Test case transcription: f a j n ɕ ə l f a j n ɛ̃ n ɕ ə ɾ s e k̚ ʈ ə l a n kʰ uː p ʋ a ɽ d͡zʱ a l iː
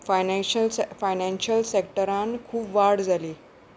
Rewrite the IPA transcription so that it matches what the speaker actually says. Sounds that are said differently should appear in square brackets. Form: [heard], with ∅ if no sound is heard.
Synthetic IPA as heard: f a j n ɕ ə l f a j n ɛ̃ n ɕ ə [l] s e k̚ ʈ ə [ɾ] a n kʰ uː p ʋ a ɽ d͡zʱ a l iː